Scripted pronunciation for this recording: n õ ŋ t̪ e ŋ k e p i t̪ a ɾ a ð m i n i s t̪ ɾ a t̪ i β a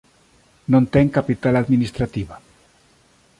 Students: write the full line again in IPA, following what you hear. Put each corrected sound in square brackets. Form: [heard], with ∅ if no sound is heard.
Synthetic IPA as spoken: n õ [n] t̪ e ŋ k [a] p i t̪ a [l] a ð m i n i s t̪ ɾ a t̪ i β a